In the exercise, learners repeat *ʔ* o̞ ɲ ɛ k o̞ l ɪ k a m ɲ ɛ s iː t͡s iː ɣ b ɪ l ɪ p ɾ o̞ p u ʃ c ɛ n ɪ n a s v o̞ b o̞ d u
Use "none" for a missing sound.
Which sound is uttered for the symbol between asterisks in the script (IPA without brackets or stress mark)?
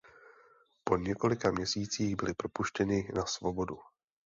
p